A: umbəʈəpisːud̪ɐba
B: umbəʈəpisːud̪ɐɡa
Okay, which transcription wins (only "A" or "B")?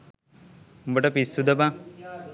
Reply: A